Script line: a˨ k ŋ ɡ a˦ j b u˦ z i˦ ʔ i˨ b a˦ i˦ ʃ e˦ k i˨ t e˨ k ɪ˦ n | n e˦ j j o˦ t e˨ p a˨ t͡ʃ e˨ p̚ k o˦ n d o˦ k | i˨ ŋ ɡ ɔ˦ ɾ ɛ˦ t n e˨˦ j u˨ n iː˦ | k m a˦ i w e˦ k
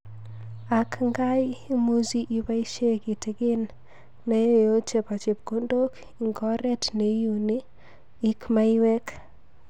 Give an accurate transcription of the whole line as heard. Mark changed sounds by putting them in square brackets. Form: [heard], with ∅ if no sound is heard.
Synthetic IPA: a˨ k ŋ ɡ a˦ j [m] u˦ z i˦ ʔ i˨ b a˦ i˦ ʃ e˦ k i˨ t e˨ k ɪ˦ n | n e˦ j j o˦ [t͡ʃ] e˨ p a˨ t͡ʃ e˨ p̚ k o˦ n d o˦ k | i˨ ŋ ɡ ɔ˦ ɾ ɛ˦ t n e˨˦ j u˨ n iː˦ | k m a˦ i w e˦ k